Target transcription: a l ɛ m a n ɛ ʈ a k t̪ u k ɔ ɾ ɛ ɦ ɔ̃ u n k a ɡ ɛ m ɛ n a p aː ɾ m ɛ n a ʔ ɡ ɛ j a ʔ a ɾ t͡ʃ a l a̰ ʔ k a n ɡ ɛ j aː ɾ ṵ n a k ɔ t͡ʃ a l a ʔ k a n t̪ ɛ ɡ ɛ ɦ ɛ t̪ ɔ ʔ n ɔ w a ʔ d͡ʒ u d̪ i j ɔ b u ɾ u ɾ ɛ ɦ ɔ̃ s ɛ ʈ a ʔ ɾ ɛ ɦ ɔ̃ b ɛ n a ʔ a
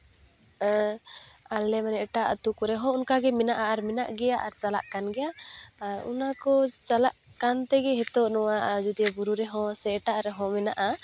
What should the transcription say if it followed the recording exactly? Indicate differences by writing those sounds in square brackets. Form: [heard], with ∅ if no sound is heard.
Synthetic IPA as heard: a l ɛ m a n ɛ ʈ a [ʔ] t̪ u k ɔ ɾ ɛ ɦ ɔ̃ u n k a ɡ ɛ m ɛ n a [ʔ] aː ɾ m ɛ n a ʔ ɡ ɛ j a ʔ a ɾ t͡ʃ a l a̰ ʔ k a n ɡ ɛ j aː ɾ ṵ n a k ɔ t͡ʃ a l a ʔ k a n t̪ ɛ ɡ ɛ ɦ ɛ t̪ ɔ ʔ n ɔ w a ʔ d͡ʒ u d̪ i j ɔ b u ɾ u ɾ ɛ ɦ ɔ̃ s ɛ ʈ a ʔ ɾ ɛ ɦ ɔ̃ [m] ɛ n a ʔ a